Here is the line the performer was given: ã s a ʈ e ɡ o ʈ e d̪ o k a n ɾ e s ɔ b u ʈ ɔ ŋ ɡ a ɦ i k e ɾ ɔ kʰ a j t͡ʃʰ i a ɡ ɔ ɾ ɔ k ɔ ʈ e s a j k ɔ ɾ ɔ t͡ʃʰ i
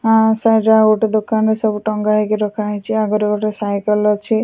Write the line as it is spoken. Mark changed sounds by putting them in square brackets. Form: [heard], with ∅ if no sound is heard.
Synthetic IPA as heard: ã s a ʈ [a] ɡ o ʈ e d̪ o k a n ɾ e s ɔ b u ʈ ɔ ŋ ɡ a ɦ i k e ɾ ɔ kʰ a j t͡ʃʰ i a ɡ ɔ ɾ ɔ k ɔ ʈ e s a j k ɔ [l] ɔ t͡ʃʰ i